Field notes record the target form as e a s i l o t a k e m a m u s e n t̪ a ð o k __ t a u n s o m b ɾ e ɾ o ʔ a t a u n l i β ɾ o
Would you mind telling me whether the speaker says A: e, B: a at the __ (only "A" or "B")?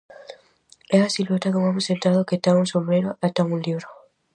A